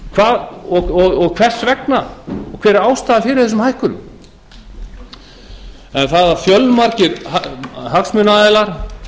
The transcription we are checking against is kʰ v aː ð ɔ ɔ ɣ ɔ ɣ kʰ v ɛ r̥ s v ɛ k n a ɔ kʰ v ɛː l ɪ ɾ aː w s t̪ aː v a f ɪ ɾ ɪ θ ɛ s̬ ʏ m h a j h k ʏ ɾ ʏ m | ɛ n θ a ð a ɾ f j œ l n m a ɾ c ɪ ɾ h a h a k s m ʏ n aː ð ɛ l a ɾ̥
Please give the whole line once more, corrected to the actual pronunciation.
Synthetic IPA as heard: kʰ v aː ð ɔ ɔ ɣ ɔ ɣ kʰ v ɛ r̥ s v ɛ k n a ɔ kʰ v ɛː ɾ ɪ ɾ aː w s t̪ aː ð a f ɪ ɾ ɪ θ ɛ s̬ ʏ m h a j h k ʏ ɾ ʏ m | ɛ n θ a ð a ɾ f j œ l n m a ɾ c ɪ ɾ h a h a k s m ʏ n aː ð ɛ l a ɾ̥